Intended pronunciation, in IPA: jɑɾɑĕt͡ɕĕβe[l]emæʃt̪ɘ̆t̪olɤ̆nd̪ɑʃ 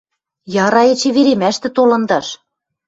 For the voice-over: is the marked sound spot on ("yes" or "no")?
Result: no